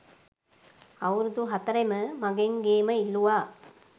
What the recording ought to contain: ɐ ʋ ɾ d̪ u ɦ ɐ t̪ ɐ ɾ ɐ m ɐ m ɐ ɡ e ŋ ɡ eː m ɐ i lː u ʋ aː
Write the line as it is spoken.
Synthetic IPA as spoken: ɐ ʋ ɾ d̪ u ɦ ɐ t̪ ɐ ɾ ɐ m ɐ m ɐ ɡ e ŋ ɡ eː m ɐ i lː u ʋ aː